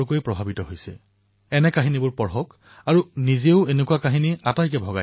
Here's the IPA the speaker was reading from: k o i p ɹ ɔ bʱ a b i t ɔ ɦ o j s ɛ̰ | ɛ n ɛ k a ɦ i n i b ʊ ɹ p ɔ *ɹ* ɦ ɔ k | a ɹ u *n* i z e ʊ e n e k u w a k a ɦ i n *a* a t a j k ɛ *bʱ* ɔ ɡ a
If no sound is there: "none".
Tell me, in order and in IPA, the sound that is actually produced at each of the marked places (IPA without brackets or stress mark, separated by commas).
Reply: ɹ, n, i, bʱ